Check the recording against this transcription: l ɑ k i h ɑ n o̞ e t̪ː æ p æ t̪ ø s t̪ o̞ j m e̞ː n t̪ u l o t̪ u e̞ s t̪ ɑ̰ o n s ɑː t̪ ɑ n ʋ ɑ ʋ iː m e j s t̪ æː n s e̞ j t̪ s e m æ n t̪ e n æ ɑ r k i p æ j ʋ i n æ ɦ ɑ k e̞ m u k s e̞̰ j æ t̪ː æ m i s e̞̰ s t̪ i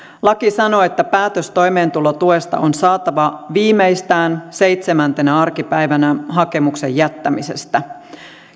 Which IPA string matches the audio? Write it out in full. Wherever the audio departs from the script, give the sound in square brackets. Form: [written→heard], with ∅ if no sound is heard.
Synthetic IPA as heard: l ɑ k i [h→s] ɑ n o̞ e t̪ː æ p [æ→æː] t̪ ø s t̪ o̞ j m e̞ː n t̪ u l o t̪ u e̞ s t̪ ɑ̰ o n s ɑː t̪ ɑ [n→∅] ʋ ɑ ʋ iː m e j s t̪ æː n s e̞ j t̪ s e m æ n t̪ e n æ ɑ r k i p æ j ʋ [i→æ] n æ ɦ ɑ k e̞ m u k s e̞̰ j æ t̪ː æ m i s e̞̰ s t̪ [i→æ]

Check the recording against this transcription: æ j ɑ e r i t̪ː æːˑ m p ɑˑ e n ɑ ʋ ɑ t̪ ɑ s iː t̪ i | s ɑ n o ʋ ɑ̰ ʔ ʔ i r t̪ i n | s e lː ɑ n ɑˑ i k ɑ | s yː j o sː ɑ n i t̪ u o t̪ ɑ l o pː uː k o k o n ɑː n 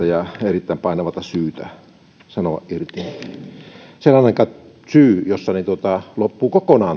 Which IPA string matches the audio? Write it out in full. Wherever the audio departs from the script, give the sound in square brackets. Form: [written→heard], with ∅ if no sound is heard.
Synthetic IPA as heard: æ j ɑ e r i t̪ː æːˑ m p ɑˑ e n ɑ ʋ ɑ t̪ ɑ s [iː→yː] t̪ [i→æ] | s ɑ n o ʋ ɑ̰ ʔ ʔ i r t̪ i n | s e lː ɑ n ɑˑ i k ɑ | s yː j o sː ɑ n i t̪ u o t̪ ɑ l o pː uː k o k o n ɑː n

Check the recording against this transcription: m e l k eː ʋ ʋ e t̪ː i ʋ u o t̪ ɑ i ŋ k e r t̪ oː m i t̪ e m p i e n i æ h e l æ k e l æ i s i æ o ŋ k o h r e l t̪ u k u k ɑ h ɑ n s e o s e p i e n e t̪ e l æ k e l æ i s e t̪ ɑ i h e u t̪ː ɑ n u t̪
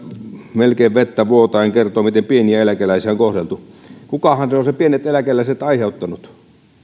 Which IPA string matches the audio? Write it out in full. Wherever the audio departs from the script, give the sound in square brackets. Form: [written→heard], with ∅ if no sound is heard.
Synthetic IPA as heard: m e l k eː ʋ ʋ e t̪ː [i→æ] ʋ u o t̪ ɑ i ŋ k e r t̪ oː m i t̪ e m p i e n i æ [h→∅] e l æ k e l æ i s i æ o ŋ k o h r e l t̪ u k u k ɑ h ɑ n s e o s e p i e n e t̪ e l æ k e l æ i s e t̪ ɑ i h e u t̪ː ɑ n u t̪

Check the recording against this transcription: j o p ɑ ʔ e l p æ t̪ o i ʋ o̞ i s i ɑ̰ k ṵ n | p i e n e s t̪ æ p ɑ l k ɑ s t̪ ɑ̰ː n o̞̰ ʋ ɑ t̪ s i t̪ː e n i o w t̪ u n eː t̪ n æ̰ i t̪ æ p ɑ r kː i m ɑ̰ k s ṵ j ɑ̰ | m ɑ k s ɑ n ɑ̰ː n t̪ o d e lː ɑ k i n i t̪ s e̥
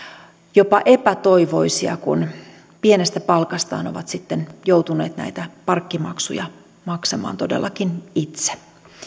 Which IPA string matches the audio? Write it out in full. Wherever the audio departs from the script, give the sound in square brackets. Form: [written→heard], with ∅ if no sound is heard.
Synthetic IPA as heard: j o p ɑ ʔ e [l→∅] p æ t̪ o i ʋ o̞ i s i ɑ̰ k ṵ n | p i e n e s t̪ æ p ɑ l k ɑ s t̪ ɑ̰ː n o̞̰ ʋ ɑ t̪ s i t̪ː e n [i→j] o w t̪ u n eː t̪ n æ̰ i t̪ æ p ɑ r kː i m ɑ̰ k s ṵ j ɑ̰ | m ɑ k s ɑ [n→m] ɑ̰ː n t̪ o d e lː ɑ k i n i t̪ s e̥

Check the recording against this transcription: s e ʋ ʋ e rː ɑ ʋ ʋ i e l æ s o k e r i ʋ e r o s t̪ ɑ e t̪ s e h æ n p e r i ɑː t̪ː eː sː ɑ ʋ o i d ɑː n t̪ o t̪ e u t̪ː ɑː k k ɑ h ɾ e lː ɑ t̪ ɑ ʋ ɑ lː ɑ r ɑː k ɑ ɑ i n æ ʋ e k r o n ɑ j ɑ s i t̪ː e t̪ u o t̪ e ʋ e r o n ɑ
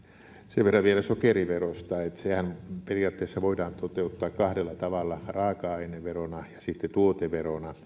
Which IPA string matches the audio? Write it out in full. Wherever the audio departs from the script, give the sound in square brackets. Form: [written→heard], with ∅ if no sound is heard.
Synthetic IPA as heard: s e ʋ ʋ e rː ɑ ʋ ʋ i e l æ s o k e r i ʋ e r o s t̪ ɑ e t̪ s e h æ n p e r i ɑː t̪ː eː sː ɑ ʋ o i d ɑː n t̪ o t̪ e u t̪ː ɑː k k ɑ h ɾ e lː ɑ t̪ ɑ ʋ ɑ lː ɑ r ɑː k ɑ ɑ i n [æ→e] ʋ e [k→∅] r o n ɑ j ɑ s i t̪ː e t̪ u o t̪ e ʋ e r o n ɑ

